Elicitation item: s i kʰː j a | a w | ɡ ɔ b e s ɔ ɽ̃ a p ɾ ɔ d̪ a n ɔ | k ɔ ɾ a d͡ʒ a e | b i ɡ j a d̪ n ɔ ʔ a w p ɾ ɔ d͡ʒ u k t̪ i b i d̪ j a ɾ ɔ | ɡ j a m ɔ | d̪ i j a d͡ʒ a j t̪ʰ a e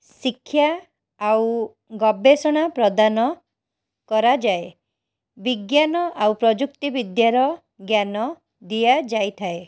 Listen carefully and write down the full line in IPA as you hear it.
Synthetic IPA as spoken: s i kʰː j a | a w | ɡ ɔ b e s ɔ ɽ̃ a p ɾ ɔ d̪ a n ɔ | k ɔ ɾ a d͡ʒ a e | b i ɡ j a n ɔ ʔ a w p ɾ ɔ d͡ʒ u k t̪ i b i d̪ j a ɾ ɔ | ɡ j a n ɔ | d̪ i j a d͡ʒ a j t̪ʰ a e

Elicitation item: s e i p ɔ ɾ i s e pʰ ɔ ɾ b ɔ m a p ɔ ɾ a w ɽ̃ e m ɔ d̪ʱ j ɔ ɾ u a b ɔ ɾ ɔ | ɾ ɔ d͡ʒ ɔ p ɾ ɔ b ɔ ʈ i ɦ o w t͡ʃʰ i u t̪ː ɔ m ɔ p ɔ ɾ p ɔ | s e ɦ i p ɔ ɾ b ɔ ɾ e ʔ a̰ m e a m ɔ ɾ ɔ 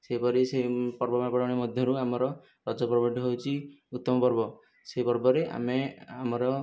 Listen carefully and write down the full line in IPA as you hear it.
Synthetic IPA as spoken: s e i p ɔ ɾ i s e p ɔ ɾ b ɔ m a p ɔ ɽ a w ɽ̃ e m ɔ d̪ʱ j ɔ ɾ u a m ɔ ɾ ɔ | ɾ ɔ d͡ʒ ɔ p ɾ ɔ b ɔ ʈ i ɦ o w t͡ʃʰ i u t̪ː ɔ m ɔ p ɔ ɾ b ɔ | s e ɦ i p ɔ ɾ b ɔ ɾ e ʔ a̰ m e a m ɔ ɾ ɔ

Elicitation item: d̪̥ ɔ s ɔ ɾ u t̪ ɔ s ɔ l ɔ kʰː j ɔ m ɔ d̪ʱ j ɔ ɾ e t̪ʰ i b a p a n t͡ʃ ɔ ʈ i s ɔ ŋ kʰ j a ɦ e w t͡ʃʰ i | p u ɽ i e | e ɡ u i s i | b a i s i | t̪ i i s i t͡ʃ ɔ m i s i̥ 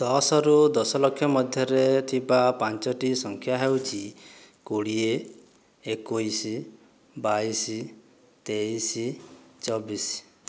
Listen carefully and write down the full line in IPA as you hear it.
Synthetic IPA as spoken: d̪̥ ɔ s ɔ ɾ u d̪ ɔ s ɔ l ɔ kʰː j ɔ m ɔ d̪ʱ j ɔ ɾ e t̪ʰ i b a p a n t͡ʃ ɔ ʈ i s ɔ ŋ kʰ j a ɦ e w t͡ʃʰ i | k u ɽ i e | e k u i s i | b a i s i | t̪ e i s i t͡ʃ ɔ b i s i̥

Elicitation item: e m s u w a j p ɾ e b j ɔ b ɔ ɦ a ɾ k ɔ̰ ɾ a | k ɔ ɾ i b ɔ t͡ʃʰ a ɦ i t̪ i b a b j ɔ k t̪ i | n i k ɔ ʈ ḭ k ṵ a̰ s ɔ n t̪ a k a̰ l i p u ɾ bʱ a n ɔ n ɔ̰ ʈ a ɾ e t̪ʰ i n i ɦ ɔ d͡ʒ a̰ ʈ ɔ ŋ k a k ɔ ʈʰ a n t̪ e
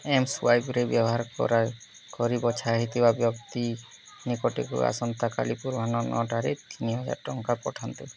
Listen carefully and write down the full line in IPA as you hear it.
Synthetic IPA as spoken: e m s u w a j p ɾ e b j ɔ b ɔ ɦ a ɾ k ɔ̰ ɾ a | k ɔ ɾ i b ɔ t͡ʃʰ a ɦ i t̪ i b a b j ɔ k t̪ i | n i k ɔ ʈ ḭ k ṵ a̰ s ɔ n t̪ a k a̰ l i p u ɾ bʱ a n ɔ n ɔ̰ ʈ a ɾ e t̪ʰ i n i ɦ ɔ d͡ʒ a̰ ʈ ɔ ŋ k a p ɔ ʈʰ a n t̪ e

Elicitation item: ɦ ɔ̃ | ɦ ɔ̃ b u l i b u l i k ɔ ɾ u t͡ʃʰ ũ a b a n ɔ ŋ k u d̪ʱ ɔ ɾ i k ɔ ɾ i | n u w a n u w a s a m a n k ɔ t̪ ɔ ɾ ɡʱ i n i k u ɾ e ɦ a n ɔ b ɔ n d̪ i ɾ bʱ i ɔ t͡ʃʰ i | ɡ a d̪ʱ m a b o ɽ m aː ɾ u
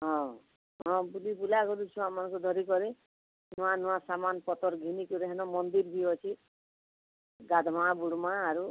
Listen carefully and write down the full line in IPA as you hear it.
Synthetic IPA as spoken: ɦ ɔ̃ | ɦ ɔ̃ b u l i b u l a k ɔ ɾ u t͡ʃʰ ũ a m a n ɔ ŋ k u d̪ʱ ɔ ɾ i k ɔ ɾ i | n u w a n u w a s a m a n p ɔ t̪ ɔ ɾ ɡʱ i n i k u ɾ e ɦ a n ɔ m ɔ n d̪ i ɾ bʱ i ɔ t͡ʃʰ i | ɡ a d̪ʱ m a b u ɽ m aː ɾ u

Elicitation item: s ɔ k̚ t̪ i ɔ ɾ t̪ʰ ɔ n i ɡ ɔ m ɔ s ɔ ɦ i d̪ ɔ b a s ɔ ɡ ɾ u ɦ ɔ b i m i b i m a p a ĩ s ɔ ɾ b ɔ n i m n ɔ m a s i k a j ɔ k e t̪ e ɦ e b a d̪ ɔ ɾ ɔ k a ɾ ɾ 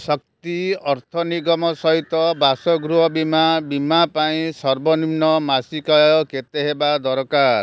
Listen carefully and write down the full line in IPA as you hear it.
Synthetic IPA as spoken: s ɔ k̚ t̪ i ɔ ɾ t̪ʰ ɔ n i ɡ ɔ m ɔ s ɔ ɦ i t̪ ɔ b a s ɔ ɡ ɾ u ɦ ɔ b i m a b i m a p a ĩ s ɔ ɾ b ɔ n i m n ɔ m a s i k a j ɔ k e t̪ e ɦ e b a d̪ ɔ ɾ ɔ k a ɾ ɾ

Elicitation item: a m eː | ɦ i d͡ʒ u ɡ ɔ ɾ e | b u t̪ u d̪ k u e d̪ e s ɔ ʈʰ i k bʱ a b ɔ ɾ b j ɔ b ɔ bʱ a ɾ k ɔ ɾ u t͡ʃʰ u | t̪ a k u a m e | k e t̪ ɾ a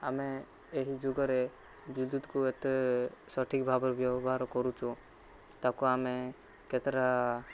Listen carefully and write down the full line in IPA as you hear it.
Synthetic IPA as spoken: a m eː | ɦ i d͡ʒ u ɡ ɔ ɾ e | b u d̪ u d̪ k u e t̪ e s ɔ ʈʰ i k bʱ a b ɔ ɾ b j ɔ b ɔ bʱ a ɾ k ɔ ɾ u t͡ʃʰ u | t̪ a k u a m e | k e t̪ ɾ a

